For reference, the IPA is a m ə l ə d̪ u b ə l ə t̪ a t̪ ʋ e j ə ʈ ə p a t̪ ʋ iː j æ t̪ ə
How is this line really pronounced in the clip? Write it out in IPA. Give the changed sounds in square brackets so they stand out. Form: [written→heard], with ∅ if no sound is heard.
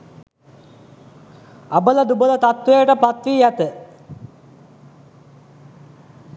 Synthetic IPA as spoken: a [m→b] ə l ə d̪ u b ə l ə t̪ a t̪ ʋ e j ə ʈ ə p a t̪ ʋ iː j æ t̪ ə